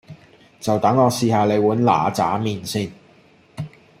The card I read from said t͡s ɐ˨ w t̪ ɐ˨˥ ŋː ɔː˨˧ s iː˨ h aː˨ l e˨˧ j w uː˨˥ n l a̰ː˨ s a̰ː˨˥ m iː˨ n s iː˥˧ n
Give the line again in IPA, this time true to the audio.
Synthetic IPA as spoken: t͡s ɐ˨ w t̪ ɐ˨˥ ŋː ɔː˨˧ s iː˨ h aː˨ l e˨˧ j w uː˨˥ n l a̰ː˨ t͡s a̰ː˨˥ m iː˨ n s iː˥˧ n